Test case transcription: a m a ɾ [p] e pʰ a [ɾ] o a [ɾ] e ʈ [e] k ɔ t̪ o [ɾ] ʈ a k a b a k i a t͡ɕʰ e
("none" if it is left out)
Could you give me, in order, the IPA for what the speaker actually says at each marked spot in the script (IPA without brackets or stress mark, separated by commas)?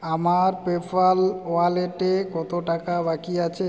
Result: p, l, l, e, none